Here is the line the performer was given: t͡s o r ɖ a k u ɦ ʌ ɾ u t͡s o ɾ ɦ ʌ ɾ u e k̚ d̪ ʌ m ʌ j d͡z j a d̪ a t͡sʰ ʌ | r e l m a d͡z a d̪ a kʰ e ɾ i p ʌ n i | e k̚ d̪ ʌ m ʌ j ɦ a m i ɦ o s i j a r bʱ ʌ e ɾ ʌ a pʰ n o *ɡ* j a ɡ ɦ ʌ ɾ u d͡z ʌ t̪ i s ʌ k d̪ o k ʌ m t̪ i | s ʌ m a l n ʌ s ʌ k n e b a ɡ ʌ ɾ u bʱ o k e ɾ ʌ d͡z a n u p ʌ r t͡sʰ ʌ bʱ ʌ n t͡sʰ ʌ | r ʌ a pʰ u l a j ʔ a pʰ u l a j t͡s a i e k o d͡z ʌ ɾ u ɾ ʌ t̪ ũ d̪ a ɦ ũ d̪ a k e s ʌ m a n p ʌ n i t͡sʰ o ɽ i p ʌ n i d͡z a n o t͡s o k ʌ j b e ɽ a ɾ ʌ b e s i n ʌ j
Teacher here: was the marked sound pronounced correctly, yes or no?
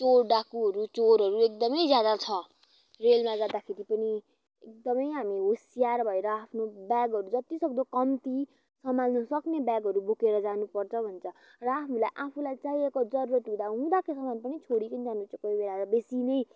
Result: no